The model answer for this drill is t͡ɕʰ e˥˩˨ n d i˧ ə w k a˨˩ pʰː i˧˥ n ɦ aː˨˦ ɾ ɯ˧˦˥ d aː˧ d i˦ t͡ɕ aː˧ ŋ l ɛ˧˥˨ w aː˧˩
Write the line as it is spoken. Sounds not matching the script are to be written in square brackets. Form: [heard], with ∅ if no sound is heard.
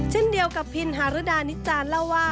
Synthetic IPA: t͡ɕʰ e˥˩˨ n d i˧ ə w k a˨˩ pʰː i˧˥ n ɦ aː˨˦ ɾ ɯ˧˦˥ d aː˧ [n] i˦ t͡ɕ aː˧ [n] l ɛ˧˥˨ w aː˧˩